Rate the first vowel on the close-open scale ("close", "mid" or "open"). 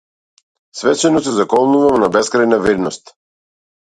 mid